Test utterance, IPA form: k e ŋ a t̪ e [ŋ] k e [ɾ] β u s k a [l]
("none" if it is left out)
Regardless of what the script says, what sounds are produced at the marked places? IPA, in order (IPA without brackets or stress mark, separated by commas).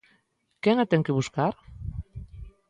ŋ, none, ɾ